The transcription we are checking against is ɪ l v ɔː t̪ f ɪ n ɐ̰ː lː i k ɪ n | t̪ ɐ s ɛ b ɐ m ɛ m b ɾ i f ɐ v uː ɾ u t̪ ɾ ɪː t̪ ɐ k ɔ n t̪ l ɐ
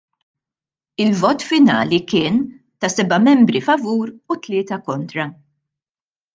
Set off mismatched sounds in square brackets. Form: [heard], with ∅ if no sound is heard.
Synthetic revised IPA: ɪ l v ɔː t̪ f ɪ n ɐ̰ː [l] i k [ɪː] n | t̪ ɐ s ɛ b ɐ m ɛ m b ɾ i f ɐ v uː ɾ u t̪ [l] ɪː t̪ ɐ k ɔ n t̪ [ɾ] ɐ